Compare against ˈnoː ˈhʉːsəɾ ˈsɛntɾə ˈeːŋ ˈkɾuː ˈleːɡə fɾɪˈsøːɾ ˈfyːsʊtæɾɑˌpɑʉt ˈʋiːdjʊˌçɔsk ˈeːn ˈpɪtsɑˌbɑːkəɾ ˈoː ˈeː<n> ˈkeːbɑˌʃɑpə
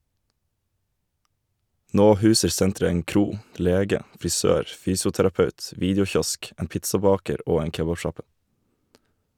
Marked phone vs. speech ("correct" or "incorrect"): incorrect